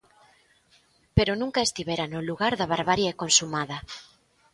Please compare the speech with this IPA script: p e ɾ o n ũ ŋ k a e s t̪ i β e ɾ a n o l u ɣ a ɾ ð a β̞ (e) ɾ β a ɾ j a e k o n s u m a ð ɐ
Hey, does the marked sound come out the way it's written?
no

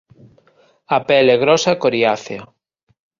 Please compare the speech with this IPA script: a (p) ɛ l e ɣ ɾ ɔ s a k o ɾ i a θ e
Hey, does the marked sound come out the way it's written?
yes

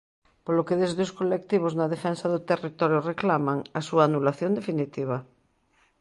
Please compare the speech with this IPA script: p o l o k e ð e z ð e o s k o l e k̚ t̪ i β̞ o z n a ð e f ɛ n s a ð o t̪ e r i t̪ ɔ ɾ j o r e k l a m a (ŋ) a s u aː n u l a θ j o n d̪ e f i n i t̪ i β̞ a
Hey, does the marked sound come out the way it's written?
yes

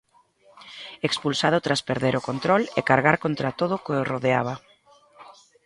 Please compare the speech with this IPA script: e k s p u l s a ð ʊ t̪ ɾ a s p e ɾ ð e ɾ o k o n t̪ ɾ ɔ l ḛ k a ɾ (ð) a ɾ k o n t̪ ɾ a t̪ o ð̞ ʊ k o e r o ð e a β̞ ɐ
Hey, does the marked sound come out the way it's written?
no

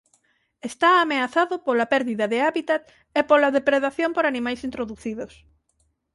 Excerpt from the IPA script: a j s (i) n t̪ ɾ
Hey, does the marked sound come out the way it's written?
yes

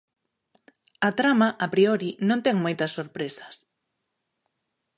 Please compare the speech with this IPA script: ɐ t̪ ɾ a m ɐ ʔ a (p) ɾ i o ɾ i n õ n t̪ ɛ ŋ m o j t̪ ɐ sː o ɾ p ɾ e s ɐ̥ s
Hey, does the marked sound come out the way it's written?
yes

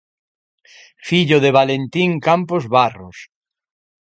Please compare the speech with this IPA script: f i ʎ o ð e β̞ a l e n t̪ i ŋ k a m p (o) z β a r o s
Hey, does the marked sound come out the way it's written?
yes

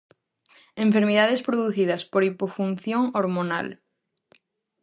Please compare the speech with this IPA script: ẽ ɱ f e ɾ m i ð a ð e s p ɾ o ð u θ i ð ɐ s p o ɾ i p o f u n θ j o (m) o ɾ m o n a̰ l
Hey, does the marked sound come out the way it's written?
no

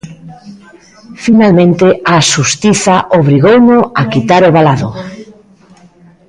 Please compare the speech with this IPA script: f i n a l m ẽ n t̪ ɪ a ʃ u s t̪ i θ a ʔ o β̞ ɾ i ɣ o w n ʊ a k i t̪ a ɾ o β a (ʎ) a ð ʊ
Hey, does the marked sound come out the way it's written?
no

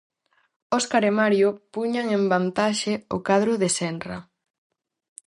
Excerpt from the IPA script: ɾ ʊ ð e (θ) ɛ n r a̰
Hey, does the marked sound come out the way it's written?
no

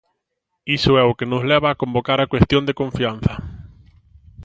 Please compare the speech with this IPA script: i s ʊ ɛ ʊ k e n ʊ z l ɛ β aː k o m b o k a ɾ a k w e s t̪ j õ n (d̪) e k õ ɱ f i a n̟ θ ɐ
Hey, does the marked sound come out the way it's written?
yes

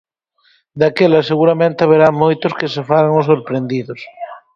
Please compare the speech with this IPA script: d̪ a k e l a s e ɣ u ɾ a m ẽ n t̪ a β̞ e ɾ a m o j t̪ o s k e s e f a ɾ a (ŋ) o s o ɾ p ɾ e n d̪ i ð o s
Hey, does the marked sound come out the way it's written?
yes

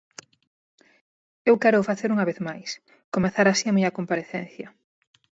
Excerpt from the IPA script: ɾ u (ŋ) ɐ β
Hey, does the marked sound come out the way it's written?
yes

